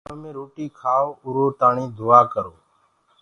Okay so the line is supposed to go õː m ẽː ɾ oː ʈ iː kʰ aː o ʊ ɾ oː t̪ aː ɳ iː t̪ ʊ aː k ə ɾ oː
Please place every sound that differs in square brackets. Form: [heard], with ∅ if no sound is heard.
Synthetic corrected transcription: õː m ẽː ɾ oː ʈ iː kʰ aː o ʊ ɾ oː t̪ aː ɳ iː [d̪] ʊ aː k ə ɾ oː